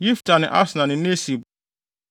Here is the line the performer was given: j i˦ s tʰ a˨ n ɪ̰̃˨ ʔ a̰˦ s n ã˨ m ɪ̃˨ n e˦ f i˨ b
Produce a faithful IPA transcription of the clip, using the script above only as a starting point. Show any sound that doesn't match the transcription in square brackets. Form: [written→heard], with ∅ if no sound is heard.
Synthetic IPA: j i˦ [s→f] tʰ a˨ n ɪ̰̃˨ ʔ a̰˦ s n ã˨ [m→n] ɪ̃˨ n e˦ [f→s] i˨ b